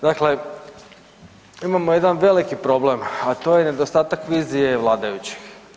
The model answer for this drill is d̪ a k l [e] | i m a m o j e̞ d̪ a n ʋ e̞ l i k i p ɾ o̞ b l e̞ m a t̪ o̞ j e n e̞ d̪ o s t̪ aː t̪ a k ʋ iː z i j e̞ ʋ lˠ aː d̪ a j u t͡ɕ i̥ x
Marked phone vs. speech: correct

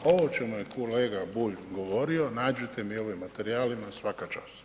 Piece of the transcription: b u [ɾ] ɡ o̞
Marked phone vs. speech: incorrect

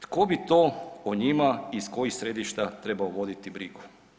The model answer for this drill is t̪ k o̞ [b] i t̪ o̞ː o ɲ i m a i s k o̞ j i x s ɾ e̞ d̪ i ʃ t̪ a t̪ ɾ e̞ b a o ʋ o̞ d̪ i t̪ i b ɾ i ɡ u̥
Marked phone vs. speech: correct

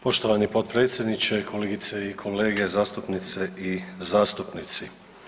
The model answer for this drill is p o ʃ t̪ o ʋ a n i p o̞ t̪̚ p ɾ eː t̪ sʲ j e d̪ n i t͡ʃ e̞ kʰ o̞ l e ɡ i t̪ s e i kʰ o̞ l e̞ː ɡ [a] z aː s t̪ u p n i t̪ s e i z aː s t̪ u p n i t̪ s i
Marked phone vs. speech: incorrect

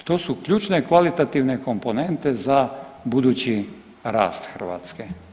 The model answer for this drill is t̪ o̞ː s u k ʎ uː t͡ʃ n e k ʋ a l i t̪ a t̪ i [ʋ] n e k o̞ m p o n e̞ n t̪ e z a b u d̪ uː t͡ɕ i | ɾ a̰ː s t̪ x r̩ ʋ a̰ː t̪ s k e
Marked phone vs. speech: correct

